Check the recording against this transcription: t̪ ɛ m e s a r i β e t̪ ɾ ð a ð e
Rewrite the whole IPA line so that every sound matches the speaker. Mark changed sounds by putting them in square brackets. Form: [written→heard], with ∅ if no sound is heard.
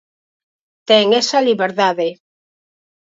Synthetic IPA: t̪ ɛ [m→ŋ] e s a [r→l] i β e [t̪→∅] ɾ ð a ð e